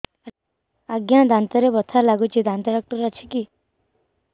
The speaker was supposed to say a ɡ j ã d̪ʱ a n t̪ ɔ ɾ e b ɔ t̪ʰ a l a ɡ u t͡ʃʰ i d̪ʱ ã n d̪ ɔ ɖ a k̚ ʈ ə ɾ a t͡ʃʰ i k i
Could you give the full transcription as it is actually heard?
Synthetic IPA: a ɡ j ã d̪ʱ a n t̪ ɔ ɾ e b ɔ t̪ʰ a l a ɡ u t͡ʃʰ i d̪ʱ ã n t̪ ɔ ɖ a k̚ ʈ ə ɾ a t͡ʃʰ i k i